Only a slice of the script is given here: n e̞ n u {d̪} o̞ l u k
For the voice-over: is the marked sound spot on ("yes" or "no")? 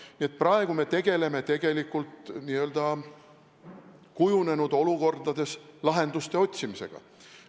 yes